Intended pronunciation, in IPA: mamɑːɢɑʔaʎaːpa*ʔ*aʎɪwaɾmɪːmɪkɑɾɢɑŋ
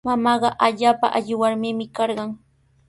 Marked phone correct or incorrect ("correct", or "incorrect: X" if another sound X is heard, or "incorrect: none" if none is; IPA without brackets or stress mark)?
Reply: correct